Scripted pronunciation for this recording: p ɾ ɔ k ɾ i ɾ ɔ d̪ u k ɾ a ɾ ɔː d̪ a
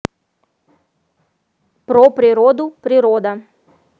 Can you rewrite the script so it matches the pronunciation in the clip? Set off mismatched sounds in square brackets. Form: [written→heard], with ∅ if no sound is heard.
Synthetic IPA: p ɾ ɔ [k→p] ɾ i ɾ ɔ d̪ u [k→p] ɾ [a→i] ɾ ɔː d̪ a